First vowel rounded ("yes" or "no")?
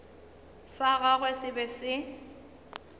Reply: no